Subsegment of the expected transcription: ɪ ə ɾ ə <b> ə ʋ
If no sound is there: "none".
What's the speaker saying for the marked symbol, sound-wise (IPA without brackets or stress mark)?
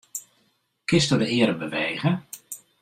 b